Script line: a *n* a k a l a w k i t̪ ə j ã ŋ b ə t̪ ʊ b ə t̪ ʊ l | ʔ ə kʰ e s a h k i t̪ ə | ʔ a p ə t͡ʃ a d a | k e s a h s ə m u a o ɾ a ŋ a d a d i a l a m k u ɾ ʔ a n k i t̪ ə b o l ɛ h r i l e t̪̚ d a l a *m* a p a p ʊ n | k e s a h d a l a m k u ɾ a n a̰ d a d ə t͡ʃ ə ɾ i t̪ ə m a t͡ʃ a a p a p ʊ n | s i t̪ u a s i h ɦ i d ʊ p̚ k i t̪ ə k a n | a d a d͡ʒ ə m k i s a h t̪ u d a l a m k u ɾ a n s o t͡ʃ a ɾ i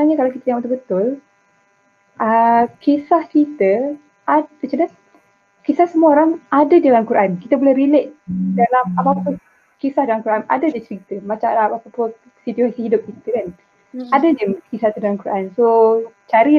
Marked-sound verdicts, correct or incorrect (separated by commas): incorrect, correct